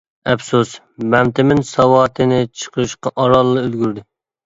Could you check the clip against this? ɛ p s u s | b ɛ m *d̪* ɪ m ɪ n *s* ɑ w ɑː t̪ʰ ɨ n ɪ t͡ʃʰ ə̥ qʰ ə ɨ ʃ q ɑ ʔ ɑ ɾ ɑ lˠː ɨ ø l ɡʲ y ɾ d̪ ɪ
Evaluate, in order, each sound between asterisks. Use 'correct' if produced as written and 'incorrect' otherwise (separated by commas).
incorrect, correct